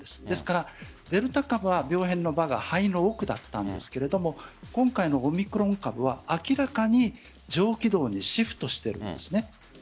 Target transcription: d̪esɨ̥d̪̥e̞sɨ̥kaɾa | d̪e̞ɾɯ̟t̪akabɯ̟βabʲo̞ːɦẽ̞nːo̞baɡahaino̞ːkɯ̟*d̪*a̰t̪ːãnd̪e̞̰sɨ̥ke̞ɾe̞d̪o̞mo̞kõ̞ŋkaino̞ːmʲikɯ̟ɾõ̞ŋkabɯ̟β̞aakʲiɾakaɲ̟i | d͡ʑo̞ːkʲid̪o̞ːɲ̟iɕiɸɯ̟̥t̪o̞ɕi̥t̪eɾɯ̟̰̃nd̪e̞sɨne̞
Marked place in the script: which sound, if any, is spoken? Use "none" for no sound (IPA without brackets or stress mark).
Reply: d̪